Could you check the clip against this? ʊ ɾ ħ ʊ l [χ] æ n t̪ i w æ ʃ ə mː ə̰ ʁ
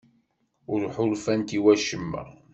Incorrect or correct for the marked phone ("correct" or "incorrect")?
incorrect